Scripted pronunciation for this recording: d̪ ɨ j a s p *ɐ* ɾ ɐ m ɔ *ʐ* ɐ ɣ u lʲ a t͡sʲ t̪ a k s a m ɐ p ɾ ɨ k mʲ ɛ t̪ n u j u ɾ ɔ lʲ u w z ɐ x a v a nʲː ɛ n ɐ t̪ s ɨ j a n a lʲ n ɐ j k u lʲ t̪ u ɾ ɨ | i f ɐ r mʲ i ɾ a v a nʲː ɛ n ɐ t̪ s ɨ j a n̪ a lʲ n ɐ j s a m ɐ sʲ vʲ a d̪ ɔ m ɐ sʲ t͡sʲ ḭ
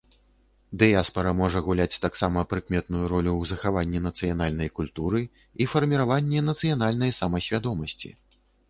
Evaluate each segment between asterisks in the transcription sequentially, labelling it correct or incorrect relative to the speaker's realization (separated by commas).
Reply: correct, correct